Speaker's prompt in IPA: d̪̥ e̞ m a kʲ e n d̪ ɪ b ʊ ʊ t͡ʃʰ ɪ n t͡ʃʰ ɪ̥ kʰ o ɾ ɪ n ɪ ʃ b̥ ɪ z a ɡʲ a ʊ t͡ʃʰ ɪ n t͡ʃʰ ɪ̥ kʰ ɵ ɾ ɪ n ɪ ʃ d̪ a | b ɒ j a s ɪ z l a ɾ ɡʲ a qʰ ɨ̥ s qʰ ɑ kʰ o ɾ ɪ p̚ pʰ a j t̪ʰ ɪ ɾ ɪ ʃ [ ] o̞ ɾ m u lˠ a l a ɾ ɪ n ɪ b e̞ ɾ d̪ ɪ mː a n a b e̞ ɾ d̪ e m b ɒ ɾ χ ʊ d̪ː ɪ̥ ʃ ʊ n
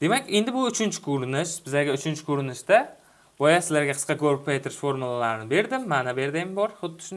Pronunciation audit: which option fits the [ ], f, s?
f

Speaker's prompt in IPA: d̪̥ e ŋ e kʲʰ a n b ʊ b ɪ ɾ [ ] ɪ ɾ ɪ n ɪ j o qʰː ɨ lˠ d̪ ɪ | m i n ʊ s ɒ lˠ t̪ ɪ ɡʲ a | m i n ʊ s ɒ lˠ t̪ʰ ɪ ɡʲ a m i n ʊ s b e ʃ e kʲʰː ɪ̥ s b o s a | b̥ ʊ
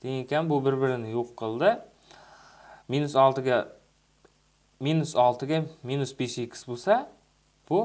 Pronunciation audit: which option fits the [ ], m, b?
b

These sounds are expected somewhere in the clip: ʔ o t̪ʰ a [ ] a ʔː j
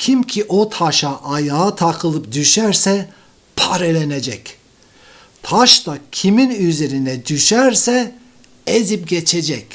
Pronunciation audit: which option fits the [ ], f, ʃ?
ʃ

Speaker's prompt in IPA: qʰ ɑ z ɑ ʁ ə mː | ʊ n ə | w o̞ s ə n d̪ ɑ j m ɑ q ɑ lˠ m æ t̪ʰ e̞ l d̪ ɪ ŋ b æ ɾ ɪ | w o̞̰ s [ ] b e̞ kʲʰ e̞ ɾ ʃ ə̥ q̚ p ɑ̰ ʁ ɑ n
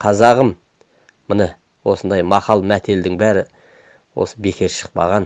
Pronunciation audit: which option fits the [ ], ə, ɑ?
ə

